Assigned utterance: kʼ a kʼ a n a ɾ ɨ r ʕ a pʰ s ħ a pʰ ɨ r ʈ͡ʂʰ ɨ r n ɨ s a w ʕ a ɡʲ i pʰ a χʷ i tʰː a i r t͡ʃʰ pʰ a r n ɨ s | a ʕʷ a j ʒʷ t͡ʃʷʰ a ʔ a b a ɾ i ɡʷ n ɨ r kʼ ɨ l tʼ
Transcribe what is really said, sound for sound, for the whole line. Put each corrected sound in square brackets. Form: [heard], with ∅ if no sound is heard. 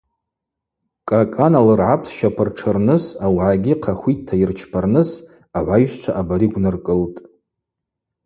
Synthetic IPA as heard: kʼ a kʼ a n a [l] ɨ r ʕ a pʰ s [ʃ] a pʰ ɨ r ʈ͡ʂʰ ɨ r n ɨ s a w ʕ a ɡʲ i [qʰ] a χʷ i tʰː a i r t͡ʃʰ pʰ a r n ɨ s | a ʕʷ a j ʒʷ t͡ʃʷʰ a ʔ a b a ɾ i ɡʷ n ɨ r kʼ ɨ l tʼ